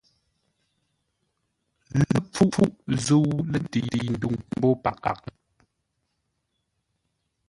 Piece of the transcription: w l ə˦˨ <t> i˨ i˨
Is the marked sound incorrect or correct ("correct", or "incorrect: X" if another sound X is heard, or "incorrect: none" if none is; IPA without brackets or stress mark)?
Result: correct